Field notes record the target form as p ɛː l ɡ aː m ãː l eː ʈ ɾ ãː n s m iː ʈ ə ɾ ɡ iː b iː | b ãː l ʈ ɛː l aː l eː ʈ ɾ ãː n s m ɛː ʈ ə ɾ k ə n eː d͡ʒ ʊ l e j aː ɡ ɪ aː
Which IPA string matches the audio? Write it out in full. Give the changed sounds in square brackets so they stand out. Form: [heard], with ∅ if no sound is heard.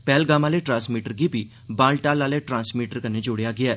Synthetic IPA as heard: p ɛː l ɡ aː m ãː l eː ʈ ɾ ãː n s m iː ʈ ə ɾ ɡ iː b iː | b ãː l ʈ [aː] l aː l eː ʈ ɾ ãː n s m [iː] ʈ ə ɾ k ə n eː d͡ʒ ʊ [ɽ] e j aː ɡ ɪ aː